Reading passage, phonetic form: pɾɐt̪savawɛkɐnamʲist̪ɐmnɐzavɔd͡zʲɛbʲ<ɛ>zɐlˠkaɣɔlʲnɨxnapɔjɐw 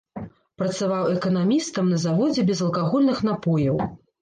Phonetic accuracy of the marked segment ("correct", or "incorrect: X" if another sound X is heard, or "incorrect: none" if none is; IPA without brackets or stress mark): correct